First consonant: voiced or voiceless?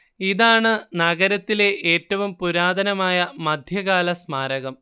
voiced